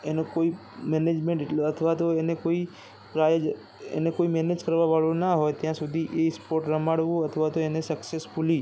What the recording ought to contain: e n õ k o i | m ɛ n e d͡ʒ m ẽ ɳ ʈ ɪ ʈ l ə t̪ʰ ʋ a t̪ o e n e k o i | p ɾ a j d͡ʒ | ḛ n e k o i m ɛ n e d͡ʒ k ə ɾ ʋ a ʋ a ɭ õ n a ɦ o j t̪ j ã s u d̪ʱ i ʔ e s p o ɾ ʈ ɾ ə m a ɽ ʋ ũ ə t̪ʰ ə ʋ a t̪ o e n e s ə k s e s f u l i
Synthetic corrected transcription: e n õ k o i | m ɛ n e d͡ʒ m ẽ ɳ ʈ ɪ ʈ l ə t̪ʰ ʋ a t̪ o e n e k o i | p ɾ a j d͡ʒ | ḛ n e k o i m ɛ n e d͡ʒ k ə ɾ ʋ a ʋ a ɭ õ n a ɦ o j t̪ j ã s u d̪ʱ i ʔ e s p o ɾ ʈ ɾ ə m a ɽ ʋ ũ ə t̪ʰ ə ʋ a t̪ o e n e s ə k s e s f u l i